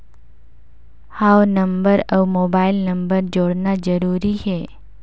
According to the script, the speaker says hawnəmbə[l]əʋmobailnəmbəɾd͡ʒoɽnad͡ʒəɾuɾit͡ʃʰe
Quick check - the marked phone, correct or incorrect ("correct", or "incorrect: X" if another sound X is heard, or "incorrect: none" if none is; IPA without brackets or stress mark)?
incorrect: ɾ